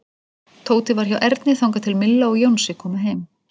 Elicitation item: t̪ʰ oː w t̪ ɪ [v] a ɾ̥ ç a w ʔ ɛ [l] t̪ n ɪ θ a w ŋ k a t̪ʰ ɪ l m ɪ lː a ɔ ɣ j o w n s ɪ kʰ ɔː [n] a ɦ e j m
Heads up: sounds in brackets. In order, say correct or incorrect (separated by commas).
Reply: correct, incorrect, incorrect